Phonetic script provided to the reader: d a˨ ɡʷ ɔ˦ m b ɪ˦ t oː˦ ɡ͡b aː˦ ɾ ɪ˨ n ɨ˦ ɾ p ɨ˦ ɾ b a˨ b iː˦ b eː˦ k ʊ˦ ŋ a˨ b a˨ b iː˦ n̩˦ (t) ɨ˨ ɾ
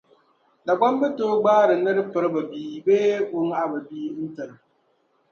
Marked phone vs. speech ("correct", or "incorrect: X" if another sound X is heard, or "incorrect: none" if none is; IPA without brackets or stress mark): correct